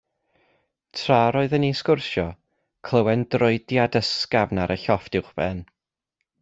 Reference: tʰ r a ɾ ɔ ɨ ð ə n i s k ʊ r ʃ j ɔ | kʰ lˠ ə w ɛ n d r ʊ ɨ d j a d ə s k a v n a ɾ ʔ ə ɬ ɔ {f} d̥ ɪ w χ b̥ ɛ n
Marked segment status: correct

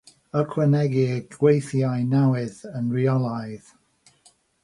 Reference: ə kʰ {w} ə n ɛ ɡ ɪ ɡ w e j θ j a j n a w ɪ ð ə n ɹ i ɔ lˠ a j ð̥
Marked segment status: correct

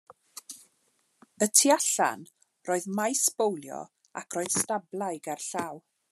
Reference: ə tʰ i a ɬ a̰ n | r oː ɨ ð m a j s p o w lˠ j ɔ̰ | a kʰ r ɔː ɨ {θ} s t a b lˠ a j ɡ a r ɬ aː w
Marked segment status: incorrect: ð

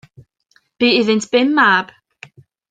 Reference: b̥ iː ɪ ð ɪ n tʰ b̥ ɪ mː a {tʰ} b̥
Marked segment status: incorrect: none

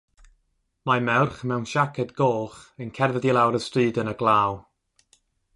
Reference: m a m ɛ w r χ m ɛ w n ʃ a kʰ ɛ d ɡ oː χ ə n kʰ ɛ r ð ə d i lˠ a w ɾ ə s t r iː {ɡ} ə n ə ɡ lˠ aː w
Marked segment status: incorrect: d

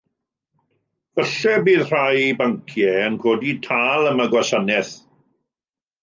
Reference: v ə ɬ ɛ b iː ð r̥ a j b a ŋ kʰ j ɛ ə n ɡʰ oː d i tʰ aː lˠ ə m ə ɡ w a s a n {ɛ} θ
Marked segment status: correct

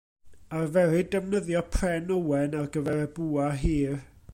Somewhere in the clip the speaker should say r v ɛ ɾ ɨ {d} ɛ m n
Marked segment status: correct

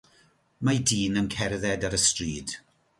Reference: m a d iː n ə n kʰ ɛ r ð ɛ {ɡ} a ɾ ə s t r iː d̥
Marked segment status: incorrect: d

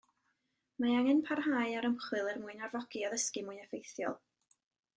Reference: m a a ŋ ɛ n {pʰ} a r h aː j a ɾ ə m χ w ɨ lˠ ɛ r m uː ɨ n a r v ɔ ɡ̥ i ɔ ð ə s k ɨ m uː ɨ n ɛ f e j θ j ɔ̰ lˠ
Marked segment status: correct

